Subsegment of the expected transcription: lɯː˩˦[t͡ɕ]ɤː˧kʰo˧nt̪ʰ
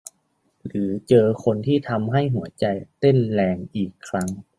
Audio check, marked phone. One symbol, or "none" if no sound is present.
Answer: t͡ɕ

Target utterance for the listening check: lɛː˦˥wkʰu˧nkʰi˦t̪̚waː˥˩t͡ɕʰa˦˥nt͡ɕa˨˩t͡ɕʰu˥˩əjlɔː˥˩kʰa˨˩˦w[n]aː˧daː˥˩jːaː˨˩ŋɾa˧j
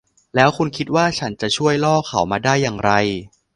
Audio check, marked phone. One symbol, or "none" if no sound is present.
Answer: m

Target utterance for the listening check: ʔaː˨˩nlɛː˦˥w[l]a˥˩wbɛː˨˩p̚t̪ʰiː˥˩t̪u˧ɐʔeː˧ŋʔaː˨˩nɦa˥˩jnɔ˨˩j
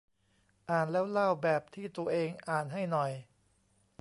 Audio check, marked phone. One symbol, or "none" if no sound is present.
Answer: l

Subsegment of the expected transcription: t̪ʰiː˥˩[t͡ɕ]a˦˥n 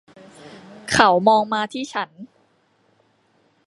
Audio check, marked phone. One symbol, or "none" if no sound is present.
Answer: t͡ɕʰ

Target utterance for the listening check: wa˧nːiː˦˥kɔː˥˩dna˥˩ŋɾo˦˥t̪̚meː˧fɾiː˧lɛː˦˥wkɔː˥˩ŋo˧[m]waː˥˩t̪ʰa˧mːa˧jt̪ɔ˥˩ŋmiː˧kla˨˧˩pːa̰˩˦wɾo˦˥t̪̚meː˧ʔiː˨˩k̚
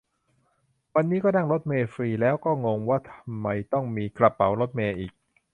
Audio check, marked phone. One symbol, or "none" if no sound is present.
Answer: ŋ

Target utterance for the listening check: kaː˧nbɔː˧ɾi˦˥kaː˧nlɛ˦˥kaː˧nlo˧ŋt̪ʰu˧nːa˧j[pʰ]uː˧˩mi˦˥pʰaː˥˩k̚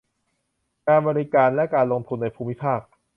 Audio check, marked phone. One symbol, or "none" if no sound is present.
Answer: pʰ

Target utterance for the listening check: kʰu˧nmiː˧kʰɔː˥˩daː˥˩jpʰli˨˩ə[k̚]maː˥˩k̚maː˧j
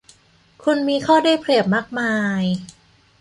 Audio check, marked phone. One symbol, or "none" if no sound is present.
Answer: p̚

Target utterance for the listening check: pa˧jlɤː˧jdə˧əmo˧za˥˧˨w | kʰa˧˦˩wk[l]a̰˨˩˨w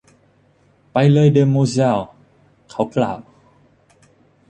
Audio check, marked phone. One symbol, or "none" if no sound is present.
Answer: l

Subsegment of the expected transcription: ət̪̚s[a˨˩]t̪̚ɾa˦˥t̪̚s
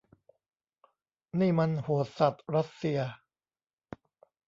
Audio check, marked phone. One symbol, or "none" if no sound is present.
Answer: a˨˩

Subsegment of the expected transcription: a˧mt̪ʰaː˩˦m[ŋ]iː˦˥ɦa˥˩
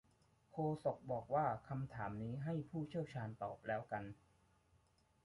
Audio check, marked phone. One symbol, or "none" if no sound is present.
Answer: n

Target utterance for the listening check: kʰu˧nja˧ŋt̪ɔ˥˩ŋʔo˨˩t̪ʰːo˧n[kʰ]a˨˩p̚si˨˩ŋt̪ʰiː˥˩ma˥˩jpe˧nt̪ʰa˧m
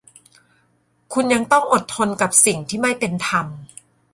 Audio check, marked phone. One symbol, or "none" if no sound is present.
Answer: k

